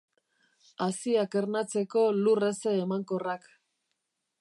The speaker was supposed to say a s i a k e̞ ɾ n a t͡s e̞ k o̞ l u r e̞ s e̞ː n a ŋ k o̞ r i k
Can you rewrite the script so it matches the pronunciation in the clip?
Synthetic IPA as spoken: a s i a k e̞ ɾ n a t͡s e̞ k o̞ l u r e̞ s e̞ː m a ŋ k o̞ r a k